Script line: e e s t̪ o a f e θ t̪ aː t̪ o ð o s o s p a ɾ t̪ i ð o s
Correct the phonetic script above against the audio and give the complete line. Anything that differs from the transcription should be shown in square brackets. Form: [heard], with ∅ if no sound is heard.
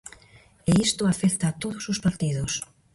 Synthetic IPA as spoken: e [i] s t̪ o a f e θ t̪ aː t̪ o ð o s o s p a ɾ t̪ i ð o s